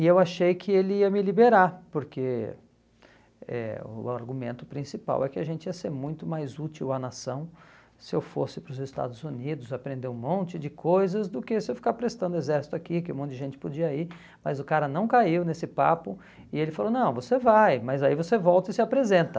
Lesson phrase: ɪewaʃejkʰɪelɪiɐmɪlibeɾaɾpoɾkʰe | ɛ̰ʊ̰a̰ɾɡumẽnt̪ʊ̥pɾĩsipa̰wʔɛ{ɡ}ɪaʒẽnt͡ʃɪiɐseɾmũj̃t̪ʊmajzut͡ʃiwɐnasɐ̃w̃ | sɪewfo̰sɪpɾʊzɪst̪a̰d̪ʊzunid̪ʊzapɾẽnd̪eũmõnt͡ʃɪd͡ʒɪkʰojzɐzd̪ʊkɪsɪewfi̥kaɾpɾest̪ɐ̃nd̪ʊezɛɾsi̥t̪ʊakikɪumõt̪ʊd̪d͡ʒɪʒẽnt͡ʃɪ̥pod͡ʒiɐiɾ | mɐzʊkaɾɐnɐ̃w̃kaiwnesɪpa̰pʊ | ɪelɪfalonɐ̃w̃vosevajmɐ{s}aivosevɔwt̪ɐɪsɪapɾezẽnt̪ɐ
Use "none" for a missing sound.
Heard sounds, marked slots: k, z

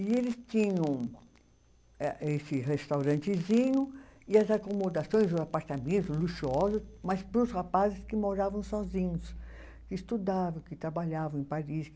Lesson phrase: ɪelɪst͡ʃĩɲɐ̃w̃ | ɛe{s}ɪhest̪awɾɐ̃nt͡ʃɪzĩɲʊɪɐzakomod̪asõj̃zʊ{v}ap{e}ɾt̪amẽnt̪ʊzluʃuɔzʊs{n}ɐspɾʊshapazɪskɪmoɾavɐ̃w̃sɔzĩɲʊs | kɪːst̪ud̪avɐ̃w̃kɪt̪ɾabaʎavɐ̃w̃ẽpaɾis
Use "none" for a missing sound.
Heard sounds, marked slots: s, z, a, m

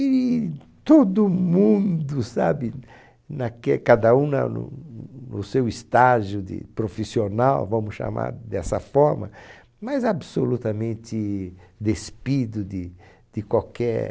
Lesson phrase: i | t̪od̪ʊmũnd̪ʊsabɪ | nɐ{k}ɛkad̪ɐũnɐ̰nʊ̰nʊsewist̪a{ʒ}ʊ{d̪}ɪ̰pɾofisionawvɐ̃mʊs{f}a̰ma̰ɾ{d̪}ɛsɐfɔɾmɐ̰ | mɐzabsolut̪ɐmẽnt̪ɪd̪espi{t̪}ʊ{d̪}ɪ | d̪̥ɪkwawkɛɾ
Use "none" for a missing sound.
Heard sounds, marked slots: k, ʒ, d̪, ʃ, d̪, d̪, d̪

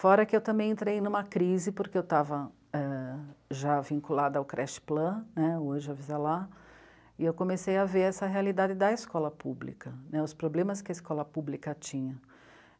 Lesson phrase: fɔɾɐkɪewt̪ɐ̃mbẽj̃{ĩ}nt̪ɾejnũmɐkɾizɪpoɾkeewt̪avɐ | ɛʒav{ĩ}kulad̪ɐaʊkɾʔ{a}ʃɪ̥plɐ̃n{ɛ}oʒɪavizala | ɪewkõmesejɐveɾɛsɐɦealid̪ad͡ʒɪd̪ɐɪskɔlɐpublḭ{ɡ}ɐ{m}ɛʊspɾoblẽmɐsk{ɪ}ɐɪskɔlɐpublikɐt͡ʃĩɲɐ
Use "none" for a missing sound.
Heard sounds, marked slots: ẽ, ĩ, ɛ, ɛ, k, n, ɪ

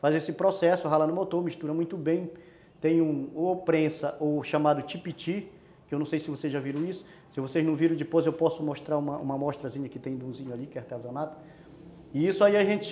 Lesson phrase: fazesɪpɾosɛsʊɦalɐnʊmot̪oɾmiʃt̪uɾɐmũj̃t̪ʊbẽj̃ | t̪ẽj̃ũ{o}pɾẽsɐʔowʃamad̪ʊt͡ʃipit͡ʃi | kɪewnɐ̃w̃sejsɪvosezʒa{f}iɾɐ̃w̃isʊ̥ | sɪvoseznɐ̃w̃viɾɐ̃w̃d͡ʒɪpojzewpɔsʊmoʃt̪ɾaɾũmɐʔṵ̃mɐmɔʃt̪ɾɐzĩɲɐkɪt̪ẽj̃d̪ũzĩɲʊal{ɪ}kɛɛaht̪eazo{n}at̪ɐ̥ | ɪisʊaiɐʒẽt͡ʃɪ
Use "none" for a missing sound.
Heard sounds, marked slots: o, v, i, n

